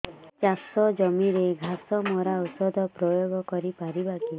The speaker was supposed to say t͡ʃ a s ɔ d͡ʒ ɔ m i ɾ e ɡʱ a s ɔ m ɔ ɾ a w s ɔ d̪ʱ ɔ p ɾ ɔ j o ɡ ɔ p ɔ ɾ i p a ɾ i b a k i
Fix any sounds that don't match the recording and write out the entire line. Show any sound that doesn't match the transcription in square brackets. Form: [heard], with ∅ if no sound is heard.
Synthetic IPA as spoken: t͡ʃ a s ɔ d͡ʒ ɔ m i ɾ e ɡʱ a s ɔ m ɔ ɾ a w s ɔ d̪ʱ ɔ p ɾ ɔ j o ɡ ɔ [k] ɔ ɾ i p a ɾ i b a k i